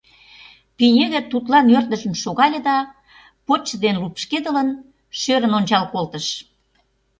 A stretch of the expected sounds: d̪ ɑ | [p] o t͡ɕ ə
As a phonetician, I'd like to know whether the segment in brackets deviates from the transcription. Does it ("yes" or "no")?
no